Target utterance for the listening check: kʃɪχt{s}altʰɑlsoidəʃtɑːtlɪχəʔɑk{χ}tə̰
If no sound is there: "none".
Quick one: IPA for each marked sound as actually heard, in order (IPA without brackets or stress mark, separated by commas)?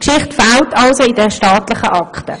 f, χ